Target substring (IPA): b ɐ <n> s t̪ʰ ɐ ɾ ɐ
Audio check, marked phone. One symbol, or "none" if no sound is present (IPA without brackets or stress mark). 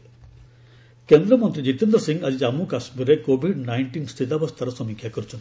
none